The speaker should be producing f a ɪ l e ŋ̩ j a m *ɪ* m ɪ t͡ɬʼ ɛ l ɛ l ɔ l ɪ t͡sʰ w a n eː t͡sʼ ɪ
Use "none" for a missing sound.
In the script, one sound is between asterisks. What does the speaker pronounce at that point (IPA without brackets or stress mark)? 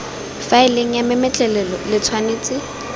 ɪ